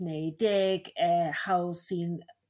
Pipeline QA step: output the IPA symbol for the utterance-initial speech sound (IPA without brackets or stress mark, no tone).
n